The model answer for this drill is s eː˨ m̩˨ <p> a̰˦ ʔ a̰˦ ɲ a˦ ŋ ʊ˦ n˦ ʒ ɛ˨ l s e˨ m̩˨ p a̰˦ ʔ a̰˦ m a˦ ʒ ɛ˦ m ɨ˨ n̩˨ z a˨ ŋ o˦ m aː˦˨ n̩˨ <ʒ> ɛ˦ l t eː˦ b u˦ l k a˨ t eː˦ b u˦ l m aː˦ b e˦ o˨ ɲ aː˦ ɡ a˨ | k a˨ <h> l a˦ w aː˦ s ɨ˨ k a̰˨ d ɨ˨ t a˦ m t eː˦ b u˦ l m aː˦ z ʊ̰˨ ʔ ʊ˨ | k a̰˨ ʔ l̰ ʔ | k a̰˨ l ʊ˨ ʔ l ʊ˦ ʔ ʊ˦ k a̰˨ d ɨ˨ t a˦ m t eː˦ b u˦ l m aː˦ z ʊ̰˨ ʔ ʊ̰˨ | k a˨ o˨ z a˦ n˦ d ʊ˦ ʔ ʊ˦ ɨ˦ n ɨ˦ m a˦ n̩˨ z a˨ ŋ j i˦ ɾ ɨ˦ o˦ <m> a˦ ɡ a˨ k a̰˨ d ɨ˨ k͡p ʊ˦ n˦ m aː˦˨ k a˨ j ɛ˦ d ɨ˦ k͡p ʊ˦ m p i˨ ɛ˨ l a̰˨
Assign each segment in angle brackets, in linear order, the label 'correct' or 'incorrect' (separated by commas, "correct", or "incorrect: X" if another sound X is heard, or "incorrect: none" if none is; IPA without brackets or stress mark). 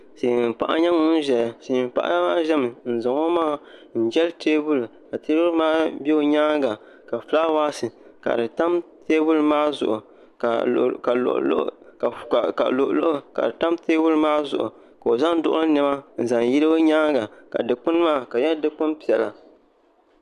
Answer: correct, incorrect: d͡ʒ, incorrect: f, incorrect: ɲ